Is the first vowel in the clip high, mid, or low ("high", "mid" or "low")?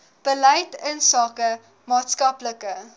mid